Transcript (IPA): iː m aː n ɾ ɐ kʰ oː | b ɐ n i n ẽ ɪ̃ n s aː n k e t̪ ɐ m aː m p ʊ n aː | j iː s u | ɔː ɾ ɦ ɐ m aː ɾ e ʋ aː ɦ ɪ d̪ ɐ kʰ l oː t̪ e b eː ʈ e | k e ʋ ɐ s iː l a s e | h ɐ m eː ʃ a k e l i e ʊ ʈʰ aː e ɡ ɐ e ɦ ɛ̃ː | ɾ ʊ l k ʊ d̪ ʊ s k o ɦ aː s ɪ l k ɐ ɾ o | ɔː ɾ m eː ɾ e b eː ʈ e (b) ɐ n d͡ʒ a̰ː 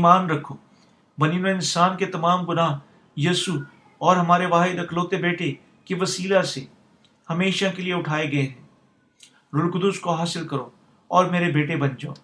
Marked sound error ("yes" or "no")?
no